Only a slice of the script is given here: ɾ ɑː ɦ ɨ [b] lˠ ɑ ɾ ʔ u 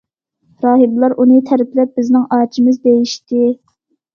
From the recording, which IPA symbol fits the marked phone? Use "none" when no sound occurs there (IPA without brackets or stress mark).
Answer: b